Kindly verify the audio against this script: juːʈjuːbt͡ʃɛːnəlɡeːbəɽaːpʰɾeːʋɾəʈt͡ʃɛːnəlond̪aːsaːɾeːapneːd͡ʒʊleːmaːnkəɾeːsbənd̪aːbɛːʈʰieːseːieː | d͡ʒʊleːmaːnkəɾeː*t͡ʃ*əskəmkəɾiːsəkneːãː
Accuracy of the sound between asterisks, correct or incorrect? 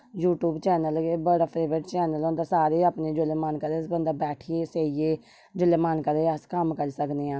incorrect